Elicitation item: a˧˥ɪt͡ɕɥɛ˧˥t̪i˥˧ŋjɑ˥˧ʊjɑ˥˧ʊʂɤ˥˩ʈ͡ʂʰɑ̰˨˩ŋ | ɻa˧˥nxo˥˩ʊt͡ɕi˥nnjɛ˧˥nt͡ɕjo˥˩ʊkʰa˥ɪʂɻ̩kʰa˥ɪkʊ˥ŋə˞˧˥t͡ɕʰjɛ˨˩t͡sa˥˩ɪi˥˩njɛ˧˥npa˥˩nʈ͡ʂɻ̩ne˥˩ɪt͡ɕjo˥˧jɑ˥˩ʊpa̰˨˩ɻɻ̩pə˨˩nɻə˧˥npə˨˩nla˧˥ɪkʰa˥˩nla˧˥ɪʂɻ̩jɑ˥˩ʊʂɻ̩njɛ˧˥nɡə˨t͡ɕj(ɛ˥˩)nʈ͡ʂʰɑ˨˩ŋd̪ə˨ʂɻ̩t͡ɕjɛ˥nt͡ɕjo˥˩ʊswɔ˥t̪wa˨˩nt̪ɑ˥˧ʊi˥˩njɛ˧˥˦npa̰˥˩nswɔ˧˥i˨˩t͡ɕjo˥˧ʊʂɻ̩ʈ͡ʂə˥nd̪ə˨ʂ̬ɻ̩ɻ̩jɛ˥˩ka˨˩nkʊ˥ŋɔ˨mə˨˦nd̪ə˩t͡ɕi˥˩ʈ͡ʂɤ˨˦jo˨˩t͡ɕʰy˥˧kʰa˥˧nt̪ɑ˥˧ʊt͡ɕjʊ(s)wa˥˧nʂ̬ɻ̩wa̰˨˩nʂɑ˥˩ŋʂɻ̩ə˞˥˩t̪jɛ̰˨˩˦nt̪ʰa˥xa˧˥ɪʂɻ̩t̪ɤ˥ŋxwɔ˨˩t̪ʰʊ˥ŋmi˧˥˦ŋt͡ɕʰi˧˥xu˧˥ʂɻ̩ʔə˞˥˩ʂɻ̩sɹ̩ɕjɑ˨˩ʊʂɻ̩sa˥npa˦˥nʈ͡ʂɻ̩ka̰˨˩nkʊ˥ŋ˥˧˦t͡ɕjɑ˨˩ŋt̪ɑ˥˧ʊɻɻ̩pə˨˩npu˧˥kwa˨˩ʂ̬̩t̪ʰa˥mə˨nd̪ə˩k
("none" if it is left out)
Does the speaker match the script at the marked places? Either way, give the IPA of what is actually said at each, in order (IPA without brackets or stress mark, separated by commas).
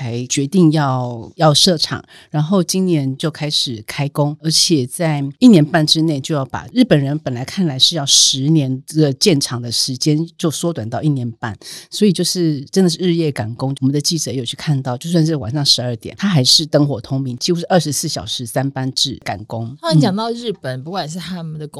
ɛ˥˩, s